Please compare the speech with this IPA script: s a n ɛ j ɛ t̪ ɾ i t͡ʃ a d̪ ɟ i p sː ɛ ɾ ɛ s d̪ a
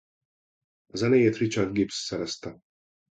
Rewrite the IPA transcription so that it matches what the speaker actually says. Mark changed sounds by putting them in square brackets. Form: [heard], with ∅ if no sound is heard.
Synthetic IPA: [z] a n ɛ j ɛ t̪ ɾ i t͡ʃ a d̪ [ɡ] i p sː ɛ ɾ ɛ s [t̪] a